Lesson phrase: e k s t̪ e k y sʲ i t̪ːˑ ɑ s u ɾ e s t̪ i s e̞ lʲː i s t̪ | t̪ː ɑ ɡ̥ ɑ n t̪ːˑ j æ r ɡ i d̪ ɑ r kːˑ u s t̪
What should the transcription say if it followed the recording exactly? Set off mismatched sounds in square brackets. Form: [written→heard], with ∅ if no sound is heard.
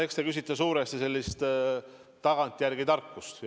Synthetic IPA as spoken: e k s t̪ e k y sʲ i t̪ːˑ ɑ s [u→uː] ɾ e s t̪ i s e̞ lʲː i s t̪ | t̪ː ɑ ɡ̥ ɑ n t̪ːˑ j æ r ɡ i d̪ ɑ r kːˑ u s t̪